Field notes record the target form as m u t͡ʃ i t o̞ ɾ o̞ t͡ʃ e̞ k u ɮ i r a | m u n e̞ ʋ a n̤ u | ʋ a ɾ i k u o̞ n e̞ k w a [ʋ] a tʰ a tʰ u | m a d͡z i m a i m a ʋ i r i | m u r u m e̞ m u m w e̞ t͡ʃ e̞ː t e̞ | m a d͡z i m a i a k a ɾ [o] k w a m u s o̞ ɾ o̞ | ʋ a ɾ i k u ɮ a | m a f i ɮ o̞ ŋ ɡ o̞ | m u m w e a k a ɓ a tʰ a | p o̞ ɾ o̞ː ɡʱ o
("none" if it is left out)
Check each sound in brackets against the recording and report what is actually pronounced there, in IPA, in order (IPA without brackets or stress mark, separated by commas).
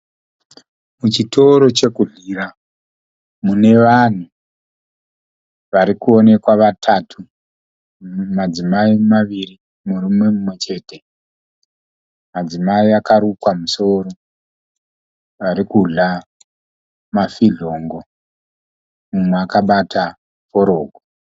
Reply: ʋ, u